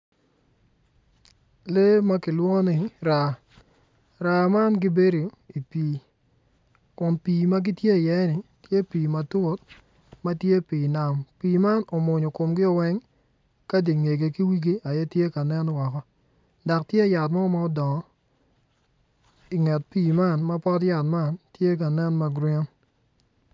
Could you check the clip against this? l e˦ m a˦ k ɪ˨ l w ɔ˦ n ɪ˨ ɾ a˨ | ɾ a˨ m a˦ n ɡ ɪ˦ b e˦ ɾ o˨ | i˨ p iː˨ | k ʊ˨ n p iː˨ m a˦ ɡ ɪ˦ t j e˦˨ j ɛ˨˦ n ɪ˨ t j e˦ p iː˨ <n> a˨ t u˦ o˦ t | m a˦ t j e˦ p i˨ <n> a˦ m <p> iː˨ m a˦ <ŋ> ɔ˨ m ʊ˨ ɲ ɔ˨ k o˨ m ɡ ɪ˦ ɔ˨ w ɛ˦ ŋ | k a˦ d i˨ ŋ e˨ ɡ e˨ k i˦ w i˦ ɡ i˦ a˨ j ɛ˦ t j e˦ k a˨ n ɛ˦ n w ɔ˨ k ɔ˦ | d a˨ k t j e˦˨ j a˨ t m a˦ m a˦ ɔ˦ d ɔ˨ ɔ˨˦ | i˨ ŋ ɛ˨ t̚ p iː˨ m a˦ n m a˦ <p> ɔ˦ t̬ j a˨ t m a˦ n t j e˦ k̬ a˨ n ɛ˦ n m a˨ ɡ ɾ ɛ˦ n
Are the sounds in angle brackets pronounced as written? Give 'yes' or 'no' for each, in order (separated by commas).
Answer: no, yes, yes, no, yes